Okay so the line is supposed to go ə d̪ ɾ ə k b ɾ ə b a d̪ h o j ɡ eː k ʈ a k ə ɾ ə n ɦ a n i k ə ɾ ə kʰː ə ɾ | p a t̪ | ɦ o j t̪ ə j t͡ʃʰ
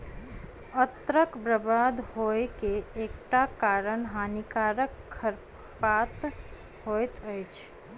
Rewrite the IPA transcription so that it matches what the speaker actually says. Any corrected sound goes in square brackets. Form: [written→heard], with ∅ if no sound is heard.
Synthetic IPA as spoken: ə [d̪→t̪] ɾ ə k b ɾ ə b a d̪ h o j [ɡ→k] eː k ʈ a k [ə→a] ɾ ə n ɦ a n i k [ə→a] ɾ ə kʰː ə ɾ | p a t̪ | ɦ o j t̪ ə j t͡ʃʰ